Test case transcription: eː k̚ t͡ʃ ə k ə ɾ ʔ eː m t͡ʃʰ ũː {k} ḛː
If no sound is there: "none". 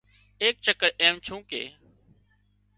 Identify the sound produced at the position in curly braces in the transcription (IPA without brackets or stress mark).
k